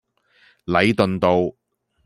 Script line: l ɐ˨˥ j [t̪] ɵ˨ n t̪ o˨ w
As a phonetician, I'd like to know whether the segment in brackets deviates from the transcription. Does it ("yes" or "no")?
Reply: no